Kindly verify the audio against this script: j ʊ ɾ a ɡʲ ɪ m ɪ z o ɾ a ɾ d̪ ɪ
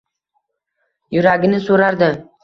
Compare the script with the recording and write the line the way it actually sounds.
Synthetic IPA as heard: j ʊ ɾ a ɡʲ ɪ n ɪ s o ɾ a ɾ d̪ ɪ